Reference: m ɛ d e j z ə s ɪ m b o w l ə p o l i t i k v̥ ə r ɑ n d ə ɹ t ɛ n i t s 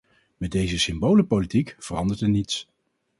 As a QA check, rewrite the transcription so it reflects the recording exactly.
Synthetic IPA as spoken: m ɛ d e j z ə s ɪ m b o w l ə p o l i t i k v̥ ə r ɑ n d ə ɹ t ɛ n i t s